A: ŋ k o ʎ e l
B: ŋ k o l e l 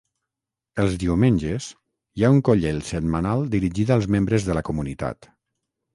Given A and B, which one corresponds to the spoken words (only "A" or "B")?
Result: A